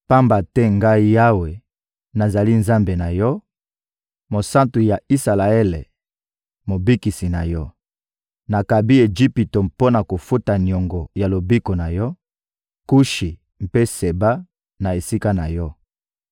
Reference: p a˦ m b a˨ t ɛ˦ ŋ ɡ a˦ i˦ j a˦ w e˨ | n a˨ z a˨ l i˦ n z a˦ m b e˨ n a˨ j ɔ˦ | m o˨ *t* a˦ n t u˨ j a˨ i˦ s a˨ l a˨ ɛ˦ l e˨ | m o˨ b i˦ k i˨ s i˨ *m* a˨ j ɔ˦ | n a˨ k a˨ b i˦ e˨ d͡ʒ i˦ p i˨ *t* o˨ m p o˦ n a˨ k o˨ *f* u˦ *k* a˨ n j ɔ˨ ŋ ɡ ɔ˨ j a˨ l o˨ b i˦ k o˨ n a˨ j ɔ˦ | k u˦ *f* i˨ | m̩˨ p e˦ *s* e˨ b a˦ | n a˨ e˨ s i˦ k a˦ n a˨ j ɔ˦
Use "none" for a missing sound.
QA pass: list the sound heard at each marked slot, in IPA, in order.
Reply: s, n, t, f, t, ʃ, s

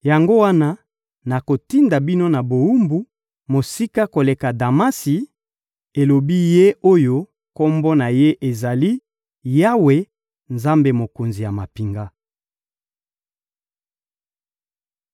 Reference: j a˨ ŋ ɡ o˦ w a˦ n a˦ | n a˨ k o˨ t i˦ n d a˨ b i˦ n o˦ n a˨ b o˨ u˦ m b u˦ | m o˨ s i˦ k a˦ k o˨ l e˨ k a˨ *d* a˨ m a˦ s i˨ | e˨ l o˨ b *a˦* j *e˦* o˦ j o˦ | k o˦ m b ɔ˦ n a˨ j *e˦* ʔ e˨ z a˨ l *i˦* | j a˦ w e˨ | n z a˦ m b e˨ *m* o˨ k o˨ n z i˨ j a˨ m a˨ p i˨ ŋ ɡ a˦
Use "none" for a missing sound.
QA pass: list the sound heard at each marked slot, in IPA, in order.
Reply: d, i˦, e˦, e˦, i˦, m

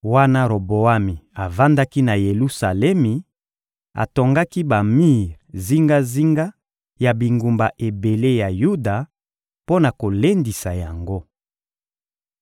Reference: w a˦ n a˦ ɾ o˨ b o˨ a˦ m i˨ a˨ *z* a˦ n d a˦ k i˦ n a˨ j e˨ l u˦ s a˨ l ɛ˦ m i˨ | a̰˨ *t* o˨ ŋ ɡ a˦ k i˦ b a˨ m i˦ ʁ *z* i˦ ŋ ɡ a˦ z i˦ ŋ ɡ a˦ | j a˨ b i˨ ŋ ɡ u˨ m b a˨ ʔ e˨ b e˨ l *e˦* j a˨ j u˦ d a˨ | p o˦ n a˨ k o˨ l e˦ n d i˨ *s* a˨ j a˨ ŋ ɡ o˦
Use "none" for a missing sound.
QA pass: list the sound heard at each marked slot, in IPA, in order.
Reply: v, t, z, e˦, s

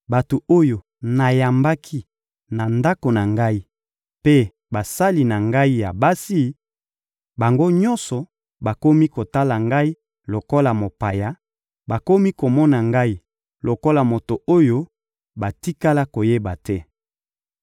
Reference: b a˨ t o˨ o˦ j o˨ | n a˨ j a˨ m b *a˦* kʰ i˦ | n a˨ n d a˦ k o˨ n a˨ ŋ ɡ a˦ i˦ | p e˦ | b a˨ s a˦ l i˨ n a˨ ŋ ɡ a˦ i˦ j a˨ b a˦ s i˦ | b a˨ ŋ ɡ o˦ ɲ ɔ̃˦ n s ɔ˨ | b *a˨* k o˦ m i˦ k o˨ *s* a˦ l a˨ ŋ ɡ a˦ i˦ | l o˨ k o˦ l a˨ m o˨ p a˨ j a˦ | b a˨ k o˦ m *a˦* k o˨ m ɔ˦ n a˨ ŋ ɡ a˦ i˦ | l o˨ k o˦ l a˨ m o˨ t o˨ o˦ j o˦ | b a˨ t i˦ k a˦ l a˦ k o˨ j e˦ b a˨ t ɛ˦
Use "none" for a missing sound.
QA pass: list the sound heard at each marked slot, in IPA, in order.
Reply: a˦, a˨, t, i˦

